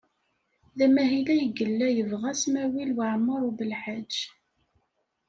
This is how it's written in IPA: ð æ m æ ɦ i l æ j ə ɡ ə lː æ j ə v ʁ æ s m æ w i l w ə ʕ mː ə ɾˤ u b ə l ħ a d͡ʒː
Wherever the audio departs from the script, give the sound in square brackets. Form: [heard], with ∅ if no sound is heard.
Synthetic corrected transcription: ð æ m æ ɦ i l æ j ə ɡ ə lː æ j ə v ʁ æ s m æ w i l w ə ʕ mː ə ɾˤ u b ə l ħ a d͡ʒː

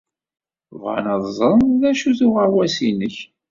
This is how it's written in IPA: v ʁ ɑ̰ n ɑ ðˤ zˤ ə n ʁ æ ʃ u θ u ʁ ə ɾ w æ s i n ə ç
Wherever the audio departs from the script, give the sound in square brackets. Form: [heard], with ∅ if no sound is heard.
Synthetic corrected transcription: v ʁ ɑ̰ n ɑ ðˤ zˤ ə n [ð] æ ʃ u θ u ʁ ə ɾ w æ s i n ə ç

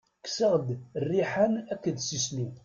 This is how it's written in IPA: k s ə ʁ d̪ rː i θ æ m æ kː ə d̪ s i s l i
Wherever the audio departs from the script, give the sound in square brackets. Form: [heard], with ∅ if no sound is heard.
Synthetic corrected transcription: k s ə ʁ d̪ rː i [ħ] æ [n] æ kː ə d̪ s i s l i

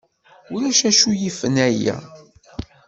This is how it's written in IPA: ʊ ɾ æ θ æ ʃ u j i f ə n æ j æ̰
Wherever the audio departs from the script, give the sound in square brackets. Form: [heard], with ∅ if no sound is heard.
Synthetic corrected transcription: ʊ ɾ æ [ʃ] æ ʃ u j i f ə n æ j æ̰

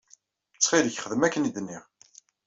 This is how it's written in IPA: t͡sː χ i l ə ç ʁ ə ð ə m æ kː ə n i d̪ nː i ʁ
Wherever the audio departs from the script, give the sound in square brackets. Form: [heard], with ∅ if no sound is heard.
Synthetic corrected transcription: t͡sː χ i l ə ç [χ] ə ð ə m æ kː ə n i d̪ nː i ʁ

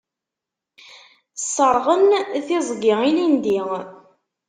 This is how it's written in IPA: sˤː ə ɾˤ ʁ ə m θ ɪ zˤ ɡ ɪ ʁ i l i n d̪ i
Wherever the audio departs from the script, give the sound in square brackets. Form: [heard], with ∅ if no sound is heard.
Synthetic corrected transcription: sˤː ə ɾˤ ʁ ə [n] θ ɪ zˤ ɡ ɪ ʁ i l i n d̪ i

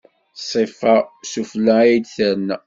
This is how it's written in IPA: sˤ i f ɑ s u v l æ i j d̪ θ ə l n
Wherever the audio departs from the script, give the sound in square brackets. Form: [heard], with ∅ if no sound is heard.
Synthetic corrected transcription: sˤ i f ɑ s u [f] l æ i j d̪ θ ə [ɾ] n

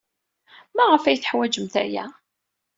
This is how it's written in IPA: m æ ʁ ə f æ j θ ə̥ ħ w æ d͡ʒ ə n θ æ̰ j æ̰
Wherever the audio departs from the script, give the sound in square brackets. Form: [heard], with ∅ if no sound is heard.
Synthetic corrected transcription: m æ ʁ ə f æ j θ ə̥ ħ w æ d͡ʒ ə [m] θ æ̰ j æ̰

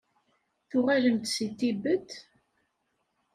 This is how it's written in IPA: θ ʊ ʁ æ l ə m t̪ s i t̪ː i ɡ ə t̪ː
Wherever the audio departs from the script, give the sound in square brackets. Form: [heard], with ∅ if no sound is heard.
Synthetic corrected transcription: θ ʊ ʁ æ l ə m t̪ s i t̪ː i [b] ə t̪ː

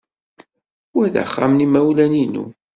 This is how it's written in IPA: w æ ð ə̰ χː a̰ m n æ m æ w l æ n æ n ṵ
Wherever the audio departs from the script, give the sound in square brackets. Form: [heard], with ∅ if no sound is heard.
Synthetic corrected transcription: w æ ð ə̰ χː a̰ m n [i] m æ w l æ n [i] n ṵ

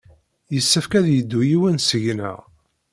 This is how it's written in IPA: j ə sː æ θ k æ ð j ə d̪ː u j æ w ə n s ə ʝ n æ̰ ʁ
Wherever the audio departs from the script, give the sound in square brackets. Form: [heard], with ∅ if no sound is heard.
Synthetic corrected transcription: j ə sː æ [f] k æ ð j ə d̪ː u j [i] w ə n s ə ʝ n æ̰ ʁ

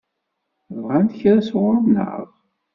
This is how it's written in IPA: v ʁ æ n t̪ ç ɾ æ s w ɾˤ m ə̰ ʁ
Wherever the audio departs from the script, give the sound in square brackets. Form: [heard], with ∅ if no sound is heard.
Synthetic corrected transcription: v ʁ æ n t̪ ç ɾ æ s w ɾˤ [n] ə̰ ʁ

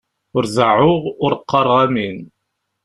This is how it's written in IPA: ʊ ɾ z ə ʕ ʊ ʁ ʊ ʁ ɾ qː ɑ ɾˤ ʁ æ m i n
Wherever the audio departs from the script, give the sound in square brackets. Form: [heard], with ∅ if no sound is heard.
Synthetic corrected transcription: ʊ ɾ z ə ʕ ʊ ʁ ʊ [∅] ɾ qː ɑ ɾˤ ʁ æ m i n

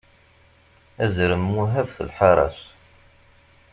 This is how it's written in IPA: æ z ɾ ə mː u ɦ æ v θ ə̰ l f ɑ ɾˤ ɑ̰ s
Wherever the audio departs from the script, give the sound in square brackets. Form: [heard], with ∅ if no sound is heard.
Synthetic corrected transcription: æ z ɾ ə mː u ɦ æ v θ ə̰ l [ħ] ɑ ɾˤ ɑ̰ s

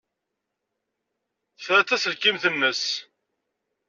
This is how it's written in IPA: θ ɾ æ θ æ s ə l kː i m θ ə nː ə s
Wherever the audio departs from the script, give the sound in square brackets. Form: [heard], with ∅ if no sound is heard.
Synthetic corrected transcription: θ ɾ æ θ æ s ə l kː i m θ ə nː ə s

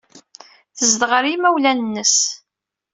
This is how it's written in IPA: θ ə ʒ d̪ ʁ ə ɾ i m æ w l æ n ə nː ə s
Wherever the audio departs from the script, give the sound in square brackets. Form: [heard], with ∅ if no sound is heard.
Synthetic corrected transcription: θ ə [z] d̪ ʁ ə ɾ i m æ w l æ n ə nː ə s

